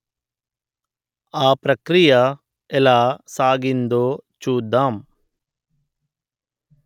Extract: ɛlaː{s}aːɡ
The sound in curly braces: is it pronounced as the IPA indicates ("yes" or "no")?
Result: yes